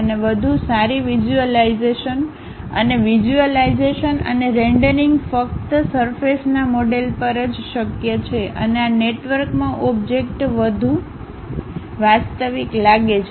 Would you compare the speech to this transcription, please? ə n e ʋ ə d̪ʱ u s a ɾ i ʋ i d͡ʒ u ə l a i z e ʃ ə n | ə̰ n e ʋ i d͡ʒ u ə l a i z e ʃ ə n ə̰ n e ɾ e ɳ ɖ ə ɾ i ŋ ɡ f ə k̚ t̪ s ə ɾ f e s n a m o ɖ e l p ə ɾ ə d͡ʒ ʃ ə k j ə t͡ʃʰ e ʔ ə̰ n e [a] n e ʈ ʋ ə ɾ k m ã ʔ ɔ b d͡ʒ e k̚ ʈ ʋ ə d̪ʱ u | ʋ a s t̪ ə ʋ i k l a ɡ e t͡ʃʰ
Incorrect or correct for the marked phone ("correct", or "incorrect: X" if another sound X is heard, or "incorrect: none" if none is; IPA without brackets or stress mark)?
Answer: correct